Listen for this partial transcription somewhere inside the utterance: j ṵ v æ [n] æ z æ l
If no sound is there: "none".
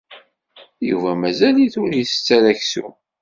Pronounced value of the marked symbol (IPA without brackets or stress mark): m